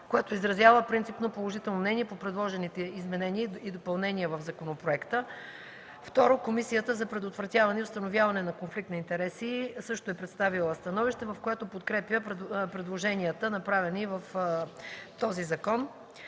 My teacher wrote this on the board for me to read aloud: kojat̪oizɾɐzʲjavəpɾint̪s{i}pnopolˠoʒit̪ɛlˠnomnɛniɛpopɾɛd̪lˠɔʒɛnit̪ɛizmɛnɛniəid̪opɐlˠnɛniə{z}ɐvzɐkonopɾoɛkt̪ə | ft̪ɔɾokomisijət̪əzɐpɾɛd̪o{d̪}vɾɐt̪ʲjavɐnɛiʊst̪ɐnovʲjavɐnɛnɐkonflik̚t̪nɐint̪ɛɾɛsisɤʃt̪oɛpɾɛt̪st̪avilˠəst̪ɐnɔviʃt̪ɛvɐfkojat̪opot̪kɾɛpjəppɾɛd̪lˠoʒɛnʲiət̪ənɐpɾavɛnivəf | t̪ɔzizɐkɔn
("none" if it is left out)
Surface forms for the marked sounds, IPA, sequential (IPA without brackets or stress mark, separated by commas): i, v, t̪